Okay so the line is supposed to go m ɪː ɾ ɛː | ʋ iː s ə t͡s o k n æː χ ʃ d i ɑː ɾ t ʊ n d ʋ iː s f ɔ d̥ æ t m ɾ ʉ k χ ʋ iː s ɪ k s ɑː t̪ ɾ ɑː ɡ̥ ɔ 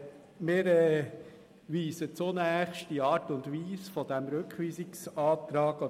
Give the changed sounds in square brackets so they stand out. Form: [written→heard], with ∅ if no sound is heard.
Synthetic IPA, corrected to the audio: m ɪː ɾ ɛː | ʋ iː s ə t͡s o [k→∅] n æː χ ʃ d i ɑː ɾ t ʊ n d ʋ iː s f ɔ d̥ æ [t→∅] m ɾ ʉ k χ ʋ iː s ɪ k s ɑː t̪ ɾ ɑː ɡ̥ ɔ